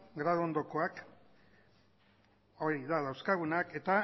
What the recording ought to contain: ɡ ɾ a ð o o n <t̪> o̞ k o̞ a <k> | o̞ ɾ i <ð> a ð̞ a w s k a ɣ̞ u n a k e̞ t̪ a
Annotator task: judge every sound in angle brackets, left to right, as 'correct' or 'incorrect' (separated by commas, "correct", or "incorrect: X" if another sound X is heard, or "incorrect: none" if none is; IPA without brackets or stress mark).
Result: incorrect: d̪, correct, correct